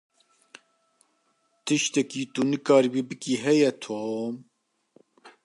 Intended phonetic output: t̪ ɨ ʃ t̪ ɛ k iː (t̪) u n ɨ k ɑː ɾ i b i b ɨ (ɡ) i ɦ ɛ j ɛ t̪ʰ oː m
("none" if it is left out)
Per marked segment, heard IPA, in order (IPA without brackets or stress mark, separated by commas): t̪, k